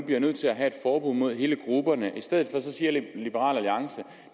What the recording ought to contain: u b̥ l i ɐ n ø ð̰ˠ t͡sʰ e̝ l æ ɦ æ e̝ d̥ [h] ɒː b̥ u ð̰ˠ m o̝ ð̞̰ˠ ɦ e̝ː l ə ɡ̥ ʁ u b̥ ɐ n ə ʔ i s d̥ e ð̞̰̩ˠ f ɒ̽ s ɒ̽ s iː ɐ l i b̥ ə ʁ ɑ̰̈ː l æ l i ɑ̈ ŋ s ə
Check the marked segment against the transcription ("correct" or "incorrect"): incorrect